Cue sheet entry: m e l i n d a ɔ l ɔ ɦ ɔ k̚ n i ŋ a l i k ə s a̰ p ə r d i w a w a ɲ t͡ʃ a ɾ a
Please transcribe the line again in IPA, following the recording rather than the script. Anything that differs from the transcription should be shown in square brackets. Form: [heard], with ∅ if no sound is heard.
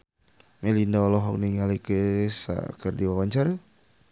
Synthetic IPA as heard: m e l i n d a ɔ l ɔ ɦ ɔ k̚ n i ŋ a l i k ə s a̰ [k] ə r d i w a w a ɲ t͡ʃ a ɾ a